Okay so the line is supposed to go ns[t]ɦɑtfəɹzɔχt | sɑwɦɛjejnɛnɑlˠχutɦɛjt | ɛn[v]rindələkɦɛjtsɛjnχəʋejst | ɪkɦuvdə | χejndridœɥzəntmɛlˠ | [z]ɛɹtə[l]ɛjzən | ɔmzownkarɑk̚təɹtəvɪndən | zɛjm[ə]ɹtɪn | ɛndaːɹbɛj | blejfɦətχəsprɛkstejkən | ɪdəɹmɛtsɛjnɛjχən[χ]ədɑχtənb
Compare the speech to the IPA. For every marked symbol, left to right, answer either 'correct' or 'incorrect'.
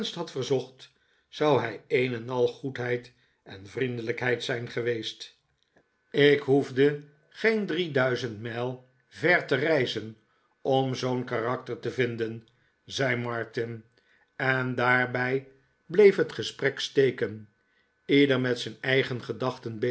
correct, correct, incorrect, incorrect, incorrect, correct

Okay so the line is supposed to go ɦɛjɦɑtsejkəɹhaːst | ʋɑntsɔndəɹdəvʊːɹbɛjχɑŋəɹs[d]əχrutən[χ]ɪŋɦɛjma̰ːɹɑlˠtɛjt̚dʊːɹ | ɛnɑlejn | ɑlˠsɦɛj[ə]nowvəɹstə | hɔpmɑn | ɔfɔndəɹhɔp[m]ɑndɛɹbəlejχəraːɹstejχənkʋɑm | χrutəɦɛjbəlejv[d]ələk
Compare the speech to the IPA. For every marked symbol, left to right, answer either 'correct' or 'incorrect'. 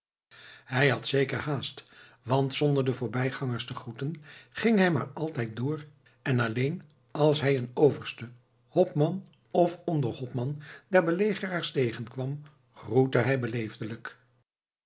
incorrect, correct, correct, correct, correct

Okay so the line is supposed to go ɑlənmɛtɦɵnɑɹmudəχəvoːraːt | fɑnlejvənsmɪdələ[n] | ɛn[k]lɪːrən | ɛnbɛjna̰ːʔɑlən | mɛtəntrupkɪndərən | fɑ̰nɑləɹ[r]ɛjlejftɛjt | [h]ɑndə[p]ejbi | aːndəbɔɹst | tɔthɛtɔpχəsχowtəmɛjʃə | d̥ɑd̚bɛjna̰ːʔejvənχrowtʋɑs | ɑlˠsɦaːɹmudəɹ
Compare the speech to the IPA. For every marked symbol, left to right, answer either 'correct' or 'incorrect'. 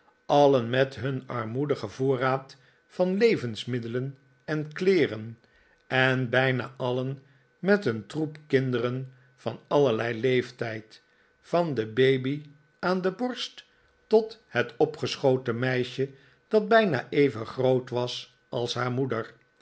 correct, correct, incorrect, incorrect, incorrect

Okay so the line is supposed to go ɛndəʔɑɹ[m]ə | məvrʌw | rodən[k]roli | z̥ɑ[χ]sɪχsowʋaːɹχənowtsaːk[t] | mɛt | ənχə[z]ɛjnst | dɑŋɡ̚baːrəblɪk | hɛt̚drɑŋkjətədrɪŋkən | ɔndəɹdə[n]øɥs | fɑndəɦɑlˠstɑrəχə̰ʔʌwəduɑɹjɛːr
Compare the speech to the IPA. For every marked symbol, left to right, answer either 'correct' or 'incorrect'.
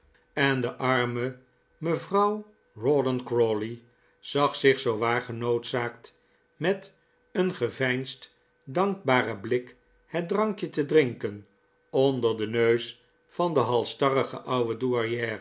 correct, correct, correct, correct, incorrect, correct

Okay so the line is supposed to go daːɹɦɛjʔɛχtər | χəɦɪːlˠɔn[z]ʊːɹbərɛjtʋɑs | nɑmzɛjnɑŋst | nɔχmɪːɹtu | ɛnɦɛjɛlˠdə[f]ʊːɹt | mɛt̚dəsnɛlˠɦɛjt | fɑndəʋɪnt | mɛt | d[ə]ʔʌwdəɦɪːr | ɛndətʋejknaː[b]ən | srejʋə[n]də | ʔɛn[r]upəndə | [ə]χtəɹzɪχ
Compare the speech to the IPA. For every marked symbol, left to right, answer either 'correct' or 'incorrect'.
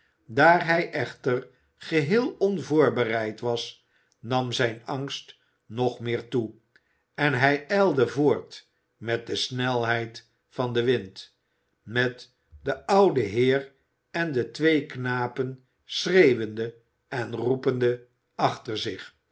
incorrect, incorrect, correct, incorrect, correct, correct, incorrect

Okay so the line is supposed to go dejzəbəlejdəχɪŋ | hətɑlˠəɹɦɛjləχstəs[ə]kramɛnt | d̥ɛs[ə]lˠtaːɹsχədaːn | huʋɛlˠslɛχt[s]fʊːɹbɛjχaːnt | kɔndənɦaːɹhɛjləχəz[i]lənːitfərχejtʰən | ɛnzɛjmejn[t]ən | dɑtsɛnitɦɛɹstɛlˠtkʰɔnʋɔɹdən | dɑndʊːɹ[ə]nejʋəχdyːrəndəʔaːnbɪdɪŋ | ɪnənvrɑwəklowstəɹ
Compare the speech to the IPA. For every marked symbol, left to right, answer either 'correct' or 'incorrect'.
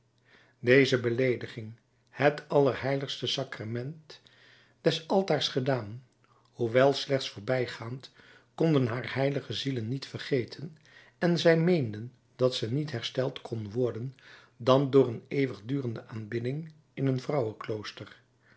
incorrect, incorrect, correct, correct, incorrect, correct

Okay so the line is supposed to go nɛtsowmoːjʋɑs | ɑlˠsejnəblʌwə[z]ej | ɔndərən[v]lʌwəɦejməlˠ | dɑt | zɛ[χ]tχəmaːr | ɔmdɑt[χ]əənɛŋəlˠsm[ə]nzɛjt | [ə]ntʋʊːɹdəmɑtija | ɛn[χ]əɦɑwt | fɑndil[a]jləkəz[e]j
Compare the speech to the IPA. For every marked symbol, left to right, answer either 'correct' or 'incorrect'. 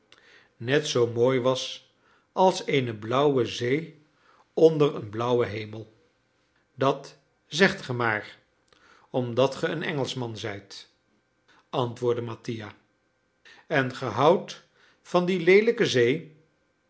correct, incorrect, correct, correct, incorrect, incorrect, correct, incorrect, correct

